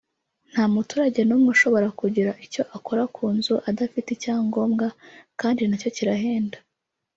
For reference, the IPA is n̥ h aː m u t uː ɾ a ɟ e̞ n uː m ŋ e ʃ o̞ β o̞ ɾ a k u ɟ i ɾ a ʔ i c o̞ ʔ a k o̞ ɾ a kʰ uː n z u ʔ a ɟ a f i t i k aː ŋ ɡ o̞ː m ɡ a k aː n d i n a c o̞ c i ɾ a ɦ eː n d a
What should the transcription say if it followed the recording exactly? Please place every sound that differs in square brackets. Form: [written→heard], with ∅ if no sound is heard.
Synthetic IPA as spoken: n̥ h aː m u t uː ɾ a ɟ e̞ n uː m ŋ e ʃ o̞ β o̞ ɾ a k u ɟ i ɾ a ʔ i c o̞ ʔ a k o̞ ɾ a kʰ uː n z u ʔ a [ɟ→d] a f i t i [k→c] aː ŋ ɡ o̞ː m ɡ a k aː n d i n a c o̞ c i ɾ a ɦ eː n d a